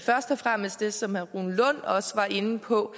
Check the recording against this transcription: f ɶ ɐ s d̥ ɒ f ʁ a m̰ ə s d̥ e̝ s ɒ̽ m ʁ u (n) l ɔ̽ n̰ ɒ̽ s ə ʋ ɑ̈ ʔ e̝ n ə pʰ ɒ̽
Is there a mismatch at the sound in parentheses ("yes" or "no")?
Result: no